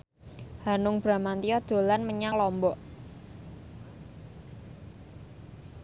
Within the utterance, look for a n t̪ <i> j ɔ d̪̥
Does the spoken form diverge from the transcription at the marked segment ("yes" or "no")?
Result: no